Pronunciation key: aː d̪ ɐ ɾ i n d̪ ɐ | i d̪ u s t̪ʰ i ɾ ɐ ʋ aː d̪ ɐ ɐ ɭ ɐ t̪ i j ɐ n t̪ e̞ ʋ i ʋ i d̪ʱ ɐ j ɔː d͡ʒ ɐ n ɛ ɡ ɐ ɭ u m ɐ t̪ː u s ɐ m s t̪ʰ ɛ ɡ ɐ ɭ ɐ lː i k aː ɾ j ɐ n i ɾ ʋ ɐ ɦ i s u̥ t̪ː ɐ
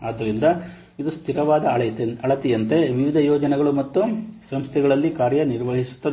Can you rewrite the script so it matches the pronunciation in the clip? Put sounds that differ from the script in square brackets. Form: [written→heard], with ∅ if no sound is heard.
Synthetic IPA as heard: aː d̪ ɐ ɾ i n d̪ ɐ | i d̪ u s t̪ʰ i ɾ ɐ ʋ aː d̪ ɐ ɐ ɭ ɐ t̪ i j ɐ n t̪ e̞ ʋ i ʋ i d̪ʱ ɐ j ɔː d͡ʒ ɐ n ɛ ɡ ɐ ɭ u m ɐ t̪ː u s ɐ m s t̪ʰ ɛ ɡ ɐ ɭ ɐ lː i k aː ɾ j ɐ n i ɾ ʋ ɐ ɦ i s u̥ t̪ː ɐ